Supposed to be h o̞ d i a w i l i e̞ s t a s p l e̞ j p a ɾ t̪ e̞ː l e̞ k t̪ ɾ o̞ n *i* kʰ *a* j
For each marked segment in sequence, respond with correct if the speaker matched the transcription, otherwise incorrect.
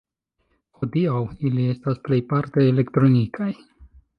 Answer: correct, correct

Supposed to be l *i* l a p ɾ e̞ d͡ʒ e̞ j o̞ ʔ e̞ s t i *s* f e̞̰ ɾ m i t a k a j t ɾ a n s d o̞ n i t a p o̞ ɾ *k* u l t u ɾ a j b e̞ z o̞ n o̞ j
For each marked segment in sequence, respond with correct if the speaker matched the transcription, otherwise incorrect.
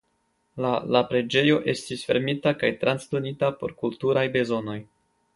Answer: incorrect: a, correct, correct

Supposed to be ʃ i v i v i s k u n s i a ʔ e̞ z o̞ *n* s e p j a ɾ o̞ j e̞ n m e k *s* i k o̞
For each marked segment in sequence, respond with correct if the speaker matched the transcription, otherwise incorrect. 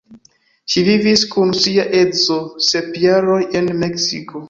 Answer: incorrect: none, correct

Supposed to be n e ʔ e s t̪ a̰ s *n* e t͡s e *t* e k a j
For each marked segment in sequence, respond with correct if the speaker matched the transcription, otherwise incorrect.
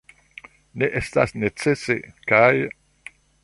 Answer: correct, incorrect: s

